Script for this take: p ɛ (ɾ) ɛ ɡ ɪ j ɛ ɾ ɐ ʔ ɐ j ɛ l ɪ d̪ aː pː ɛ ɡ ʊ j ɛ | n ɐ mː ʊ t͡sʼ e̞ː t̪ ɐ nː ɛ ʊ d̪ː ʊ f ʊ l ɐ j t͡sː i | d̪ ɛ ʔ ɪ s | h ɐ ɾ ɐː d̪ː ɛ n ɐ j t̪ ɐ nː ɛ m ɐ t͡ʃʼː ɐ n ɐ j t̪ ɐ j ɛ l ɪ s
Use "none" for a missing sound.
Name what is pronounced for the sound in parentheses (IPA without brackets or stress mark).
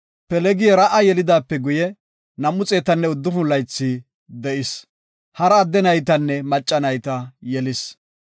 l